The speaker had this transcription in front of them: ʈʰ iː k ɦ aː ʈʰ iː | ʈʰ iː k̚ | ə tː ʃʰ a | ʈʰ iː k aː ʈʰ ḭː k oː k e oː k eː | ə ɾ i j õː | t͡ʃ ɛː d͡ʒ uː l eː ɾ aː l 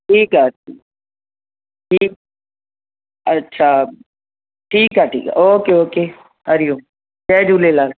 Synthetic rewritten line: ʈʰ iː k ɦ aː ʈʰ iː | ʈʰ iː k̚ | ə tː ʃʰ a | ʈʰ iː k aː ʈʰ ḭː k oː k e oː k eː | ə ɾ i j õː | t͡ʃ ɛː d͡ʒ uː l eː l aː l